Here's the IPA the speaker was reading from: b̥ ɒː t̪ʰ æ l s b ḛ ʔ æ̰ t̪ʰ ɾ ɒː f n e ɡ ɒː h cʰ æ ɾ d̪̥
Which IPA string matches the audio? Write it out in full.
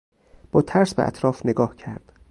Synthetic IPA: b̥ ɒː t̪ʰ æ ɾ s b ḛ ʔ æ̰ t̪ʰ ɾ ɒː f n e ɡ ɒː h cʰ æ ɾ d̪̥